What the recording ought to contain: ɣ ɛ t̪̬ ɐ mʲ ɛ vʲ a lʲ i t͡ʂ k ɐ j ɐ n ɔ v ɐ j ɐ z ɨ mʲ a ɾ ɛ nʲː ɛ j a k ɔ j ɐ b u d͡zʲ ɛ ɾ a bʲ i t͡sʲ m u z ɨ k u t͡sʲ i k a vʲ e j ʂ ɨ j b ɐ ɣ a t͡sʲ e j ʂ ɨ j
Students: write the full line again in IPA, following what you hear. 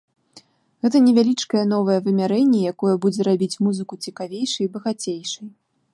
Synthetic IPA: ɣ ɛ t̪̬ ɐ nʲ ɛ vʲ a lʲ i t͡ʂ k ɐ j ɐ n ɔ v ɐ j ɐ v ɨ mʲ a ɾ ɛ nʲː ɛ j a k ɔ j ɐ b u d͡zʲ ɛ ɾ a bʲ i t͡sʲ m u z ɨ k u t͡sʲ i k a vʲ e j ʂ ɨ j b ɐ ɣ a t͡sʲ e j ʂ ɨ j